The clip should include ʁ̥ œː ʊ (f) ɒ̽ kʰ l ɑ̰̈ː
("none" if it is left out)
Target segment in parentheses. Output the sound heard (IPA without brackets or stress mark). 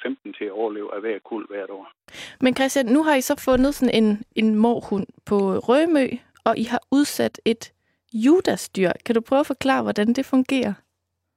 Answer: f